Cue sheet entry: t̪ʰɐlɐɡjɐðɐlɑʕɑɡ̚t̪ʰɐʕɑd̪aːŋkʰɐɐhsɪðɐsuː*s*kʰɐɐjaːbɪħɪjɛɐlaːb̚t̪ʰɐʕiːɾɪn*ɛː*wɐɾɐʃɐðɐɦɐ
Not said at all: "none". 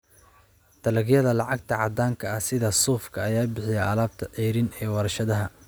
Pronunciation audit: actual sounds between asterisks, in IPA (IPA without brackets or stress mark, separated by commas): f, ɛː